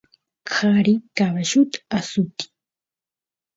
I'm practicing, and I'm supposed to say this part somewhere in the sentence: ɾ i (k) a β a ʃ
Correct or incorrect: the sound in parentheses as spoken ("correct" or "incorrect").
correct